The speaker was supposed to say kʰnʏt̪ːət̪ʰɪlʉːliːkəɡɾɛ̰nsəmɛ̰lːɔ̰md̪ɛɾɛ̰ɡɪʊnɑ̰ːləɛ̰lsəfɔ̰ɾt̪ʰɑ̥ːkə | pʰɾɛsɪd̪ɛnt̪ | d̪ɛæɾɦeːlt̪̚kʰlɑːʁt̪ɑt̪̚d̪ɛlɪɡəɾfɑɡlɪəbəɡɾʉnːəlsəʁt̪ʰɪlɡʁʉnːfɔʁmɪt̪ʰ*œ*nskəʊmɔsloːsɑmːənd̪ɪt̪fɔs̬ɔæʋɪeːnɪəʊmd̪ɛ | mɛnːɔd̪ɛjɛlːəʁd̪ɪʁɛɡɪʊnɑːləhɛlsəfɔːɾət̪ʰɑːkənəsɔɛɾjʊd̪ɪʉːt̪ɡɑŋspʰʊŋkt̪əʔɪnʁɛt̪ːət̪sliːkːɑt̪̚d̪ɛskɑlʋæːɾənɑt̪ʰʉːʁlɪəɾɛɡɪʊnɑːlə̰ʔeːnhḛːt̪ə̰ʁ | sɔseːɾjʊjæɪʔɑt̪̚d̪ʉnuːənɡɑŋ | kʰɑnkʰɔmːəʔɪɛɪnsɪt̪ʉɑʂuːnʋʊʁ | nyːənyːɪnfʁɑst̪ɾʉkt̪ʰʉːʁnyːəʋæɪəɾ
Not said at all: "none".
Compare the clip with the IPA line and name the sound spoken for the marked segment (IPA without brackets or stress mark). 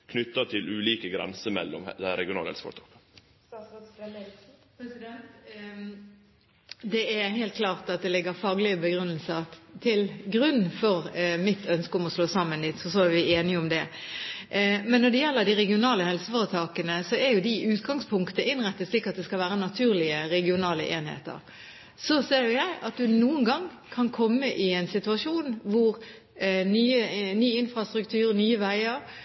œ